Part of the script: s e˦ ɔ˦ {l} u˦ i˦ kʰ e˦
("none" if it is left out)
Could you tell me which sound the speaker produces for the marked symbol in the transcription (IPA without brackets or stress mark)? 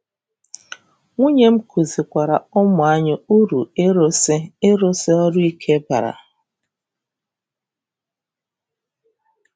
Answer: ɾ